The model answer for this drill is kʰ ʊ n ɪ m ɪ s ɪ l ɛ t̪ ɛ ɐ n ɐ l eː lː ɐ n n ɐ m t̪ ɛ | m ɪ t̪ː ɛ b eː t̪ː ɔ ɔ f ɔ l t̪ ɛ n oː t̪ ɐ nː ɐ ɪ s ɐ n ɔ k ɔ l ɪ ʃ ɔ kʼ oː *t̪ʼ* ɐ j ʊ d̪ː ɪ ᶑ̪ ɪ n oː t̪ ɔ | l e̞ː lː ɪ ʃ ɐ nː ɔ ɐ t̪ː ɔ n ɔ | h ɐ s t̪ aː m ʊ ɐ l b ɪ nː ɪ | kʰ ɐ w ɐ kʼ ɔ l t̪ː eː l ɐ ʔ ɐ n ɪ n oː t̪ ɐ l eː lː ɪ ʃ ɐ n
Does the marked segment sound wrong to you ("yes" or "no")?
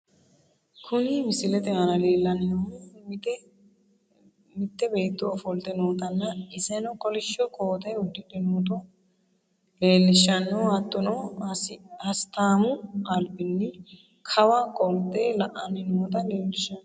yes